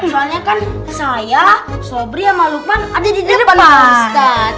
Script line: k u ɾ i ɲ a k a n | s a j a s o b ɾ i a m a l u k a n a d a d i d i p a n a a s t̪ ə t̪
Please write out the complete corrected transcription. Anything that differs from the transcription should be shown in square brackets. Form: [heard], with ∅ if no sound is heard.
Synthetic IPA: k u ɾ [a] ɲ a k a n | s a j a s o b ɾ i a m a l u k a n a d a d i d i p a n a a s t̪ [a] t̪